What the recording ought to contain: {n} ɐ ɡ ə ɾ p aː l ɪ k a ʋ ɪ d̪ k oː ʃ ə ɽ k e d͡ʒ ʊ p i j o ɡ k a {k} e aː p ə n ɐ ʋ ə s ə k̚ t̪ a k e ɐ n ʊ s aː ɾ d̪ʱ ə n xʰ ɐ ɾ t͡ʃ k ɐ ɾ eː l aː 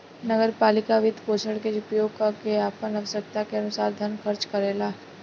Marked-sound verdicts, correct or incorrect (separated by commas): correct, correct